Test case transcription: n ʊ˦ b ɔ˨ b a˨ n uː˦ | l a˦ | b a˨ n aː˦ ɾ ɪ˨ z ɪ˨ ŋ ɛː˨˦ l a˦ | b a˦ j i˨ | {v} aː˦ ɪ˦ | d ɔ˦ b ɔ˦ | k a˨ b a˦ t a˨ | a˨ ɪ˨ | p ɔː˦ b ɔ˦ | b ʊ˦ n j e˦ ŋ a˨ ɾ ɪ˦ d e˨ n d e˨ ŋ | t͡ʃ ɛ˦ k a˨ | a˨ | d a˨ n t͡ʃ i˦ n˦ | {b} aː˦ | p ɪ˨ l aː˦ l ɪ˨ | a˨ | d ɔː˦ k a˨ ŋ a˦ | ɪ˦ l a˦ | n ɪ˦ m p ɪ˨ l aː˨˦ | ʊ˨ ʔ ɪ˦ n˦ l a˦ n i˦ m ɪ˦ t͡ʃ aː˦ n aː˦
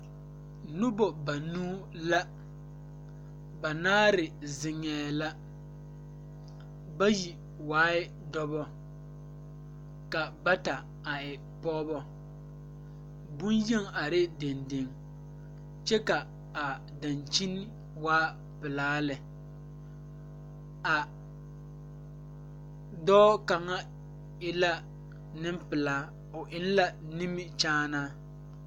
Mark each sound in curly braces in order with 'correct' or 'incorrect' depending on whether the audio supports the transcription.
incorrect, incorrect

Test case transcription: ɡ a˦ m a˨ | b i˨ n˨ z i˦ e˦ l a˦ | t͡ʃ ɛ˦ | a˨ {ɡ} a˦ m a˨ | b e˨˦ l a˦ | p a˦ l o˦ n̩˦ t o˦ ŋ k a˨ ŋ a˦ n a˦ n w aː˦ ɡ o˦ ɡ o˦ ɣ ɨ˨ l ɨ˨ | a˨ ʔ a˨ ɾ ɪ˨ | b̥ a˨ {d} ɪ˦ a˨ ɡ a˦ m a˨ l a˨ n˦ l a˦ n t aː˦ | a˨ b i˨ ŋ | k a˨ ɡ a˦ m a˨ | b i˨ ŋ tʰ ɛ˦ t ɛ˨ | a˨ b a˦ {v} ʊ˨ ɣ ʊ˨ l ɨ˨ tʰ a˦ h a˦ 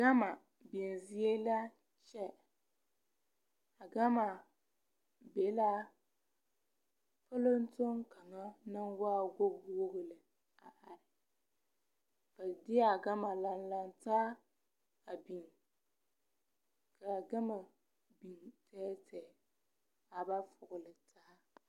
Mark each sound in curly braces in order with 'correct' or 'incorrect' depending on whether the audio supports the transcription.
correct, correct, incorrect

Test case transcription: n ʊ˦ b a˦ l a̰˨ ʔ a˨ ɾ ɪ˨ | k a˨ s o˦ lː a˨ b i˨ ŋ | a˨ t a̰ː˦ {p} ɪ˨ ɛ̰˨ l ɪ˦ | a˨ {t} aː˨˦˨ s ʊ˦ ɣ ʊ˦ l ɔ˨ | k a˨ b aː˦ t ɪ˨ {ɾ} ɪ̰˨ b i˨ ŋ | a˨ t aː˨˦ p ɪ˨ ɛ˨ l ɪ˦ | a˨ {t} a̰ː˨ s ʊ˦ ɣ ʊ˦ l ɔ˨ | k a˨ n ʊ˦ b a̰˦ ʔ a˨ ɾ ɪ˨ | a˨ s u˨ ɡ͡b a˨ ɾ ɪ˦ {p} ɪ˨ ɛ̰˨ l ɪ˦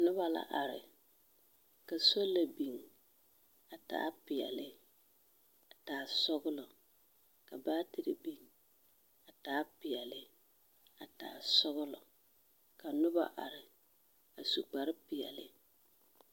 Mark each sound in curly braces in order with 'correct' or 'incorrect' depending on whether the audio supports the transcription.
correct, correct, correct, correct, correct

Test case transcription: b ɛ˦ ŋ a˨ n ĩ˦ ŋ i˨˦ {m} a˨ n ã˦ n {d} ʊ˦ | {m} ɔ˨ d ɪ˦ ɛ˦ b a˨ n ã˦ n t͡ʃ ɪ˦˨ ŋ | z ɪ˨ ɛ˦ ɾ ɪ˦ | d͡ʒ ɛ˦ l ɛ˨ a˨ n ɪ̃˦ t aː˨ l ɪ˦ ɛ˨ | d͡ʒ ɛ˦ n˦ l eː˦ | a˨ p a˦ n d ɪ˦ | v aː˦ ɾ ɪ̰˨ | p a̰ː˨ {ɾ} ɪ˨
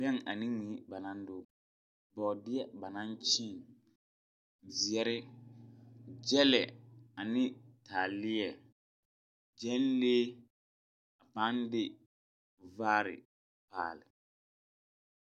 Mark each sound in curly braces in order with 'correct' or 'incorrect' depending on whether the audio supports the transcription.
incorrect, correct, incorrect, incorrect

